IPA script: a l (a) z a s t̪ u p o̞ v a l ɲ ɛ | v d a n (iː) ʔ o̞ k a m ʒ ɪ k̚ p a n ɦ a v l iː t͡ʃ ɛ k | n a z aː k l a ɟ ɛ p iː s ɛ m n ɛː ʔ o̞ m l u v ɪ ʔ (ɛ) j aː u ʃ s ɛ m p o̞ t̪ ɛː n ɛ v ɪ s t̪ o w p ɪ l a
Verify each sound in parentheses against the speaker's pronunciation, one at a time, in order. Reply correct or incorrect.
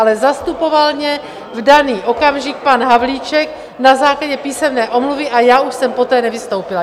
incorrect: ɛ, correct, incorrect: a

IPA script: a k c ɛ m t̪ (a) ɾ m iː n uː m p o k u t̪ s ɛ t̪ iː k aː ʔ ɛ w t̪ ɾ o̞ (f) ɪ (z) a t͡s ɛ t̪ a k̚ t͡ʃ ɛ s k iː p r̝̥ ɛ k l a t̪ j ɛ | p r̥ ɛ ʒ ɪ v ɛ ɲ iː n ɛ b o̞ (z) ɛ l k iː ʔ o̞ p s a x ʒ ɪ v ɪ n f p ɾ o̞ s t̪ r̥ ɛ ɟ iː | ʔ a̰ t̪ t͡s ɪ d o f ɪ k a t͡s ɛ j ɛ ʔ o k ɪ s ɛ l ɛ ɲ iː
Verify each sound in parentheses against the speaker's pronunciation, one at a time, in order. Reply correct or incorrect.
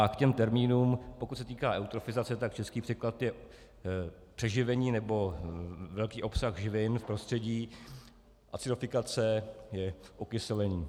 incorrect: ɛ, correct, correct, incorrect: v

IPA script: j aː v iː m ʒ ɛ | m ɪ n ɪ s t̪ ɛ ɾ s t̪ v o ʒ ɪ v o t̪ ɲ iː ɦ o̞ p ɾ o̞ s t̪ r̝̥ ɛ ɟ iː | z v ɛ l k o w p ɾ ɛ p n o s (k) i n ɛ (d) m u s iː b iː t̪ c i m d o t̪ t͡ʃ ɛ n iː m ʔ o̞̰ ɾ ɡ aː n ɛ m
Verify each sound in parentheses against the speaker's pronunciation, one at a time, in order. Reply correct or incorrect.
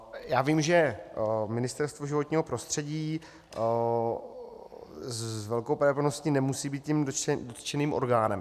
incorrect: c, incorrect: none

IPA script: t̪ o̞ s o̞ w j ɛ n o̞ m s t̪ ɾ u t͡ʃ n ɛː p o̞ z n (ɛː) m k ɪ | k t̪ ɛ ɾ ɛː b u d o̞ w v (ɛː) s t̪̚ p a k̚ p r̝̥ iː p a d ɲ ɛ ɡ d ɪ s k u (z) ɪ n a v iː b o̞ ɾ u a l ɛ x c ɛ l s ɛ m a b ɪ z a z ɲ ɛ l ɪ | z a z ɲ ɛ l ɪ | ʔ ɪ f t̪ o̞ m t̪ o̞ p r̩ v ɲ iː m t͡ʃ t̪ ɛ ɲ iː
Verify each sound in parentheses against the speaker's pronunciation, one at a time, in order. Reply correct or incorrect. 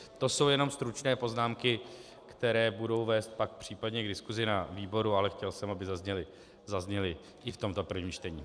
incorrect: aː, correct, correct

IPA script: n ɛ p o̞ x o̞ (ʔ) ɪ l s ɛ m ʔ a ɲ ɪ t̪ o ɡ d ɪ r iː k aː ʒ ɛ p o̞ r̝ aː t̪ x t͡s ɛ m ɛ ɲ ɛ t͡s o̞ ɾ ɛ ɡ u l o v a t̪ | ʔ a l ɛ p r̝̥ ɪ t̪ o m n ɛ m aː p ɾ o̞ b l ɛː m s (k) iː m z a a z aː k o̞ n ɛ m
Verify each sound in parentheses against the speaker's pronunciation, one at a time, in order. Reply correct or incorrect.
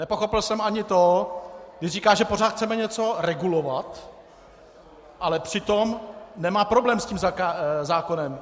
incorrect: p, incorrect: c

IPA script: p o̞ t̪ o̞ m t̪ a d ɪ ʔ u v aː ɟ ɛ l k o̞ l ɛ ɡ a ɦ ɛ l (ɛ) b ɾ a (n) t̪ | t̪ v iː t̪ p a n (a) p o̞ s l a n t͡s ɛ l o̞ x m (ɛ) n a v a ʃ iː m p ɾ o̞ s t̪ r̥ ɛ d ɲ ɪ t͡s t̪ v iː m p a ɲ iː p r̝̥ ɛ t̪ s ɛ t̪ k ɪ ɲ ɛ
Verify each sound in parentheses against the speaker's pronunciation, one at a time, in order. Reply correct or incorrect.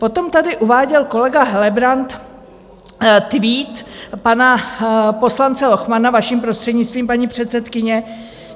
correct, correct, correct, incorrect: a

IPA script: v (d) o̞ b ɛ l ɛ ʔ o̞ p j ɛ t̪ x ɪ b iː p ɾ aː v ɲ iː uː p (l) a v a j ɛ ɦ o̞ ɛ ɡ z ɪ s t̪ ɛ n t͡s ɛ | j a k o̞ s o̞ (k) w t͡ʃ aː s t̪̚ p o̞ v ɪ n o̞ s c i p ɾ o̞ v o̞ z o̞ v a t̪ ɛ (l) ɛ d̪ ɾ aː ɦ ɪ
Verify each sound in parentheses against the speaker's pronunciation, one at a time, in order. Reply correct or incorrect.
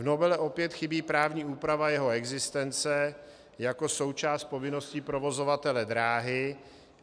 incorrect: n, incorrect: ɾ, incorrect: none, correct

